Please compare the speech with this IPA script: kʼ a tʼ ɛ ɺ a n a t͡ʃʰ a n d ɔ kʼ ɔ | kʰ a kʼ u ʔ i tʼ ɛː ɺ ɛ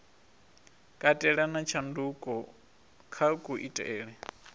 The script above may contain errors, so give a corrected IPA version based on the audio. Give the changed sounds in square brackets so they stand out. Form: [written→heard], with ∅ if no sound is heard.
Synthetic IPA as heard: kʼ a tʼ ɛ ɺ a n a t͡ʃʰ a n d [ɔ→u] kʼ ɔ | kʰ a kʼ u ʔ i tʼ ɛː ɺ ɛ